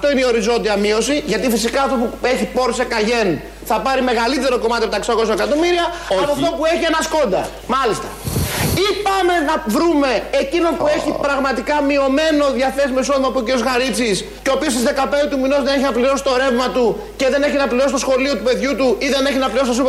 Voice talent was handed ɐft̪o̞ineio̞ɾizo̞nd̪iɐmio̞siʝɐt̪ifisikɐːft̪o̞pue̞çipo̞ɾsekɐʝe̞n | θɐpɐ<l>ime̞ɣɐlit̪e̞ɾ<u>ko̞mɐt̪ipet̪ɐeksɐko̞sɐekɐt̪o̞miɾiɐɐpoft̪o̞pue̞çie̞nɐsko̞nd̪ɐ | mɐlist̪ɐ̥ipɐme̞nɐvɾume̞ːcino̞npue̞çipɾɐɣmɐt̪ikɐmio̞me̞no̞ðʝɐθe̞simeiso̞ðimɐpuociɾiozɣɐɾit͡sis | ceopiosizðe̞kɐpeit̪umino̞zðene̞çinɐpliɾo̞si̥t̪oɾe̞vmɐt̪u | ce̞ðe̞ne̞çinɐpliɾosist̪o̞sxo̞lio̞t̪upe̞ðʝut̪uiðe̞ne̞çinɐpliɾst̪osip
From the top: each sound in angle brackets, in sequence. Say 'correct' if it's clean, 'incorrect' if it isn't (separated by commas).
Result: incorrect, incorrect